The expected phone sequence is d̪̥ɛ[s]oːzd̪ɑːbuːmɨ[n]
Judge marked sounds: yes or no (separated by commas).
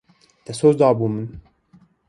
yes, yes